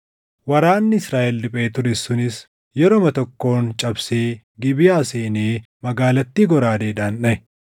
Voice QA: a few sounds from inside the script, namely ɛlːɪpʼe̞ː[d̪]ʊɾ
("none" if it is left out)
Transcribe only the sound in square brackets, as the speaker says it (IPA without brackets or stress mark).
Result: t̪